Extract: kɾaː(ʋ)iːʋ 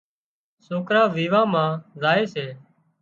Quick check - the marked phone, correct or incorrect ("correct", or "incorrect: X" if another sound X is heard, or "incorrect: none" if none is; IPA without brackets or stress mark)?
correct